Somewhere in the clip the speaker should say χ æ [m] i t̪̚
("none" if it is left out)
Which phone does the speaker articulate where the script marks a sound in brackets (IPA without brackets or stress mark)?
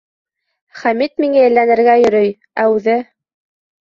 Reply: m